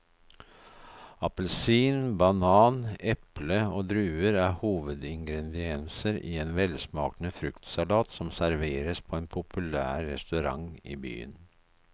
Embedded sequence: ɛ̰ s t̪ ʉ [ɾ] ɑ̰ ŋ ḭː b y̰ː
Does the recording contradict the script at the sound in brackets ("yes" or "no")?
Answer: no